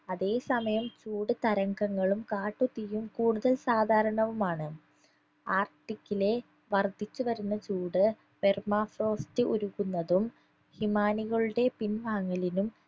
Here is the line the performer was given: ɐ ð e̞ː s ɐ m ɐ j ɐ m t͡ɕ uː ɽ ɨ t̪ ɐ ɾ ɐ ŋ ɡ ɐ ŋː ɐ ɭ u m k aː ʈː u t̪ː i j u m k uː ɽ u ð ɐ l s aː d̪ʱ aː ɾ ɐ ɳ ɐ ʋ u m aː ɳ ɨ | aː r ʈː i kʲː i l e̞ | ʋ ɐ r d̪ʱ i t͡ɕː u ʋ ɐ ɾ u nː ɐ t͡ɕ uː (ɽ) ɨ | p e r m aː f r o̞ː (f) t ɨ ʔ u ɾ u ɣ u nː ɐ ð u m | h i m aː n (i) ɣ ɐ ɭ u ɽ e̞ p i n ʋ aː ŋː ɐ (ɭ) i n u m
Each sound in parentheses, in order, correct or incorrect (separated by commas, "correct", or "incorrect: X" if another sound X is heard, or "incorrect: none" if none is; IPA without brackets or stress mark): correct, incorrect: s, correct, incorrect: l